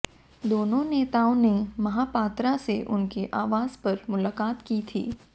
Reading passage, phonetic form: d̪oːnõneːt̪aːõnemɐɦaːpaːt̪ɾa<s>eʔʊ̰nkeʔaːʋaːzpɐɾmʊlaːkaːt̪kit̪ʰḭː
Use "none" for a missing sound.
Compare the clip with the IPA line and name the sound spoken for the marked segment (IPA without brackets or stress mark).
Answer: s